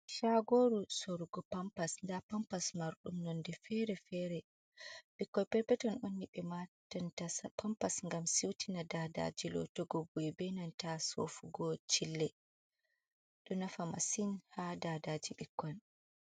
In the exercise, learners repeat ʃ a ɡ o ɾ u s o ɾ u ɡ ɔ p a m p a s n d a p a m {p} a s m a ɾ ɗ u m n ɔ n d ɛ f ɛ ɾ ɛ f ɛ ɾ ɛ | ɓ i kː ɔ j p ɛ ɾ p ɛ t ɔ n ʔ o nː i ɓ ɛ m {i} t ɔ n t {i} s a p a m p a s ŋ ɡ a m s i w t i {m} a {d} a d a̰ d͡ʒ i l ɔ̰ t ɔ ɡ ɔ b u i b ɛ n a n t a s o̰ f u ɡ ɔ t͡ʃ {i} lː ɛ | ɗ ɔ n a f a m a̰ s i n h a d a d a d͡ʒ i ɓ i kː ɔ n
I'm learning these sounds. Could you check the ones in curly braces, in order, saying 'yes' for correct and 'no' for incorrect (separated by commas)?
yes, no, no, no, yes, yes